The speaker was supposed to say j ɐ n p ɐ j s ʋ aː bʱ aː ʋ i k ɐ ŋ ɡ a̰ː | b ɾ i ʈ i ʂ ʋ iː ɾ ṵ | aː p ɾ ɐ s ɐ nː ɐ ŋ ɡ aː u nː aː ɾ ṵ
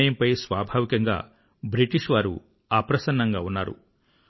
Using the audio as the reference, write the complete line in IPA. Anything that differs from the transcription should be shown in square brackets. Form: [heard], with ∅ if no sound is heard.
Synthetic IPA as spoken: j ɐ [m] p ɐ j s ʋ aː bʱ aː ʋ i k ɐ ŋ ɡ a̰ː | b ɾ i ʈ i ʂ ʋ [aː] ɾ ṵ | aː p ɾ ɐ s ɐ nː ɐ ŋ ɡ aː u nː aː ɾ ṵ